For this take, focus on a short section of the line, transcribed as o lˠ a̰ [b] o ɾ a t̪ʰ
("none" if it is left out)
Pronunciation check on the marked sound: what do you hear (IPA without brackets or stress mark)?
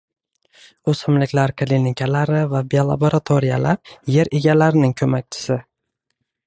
b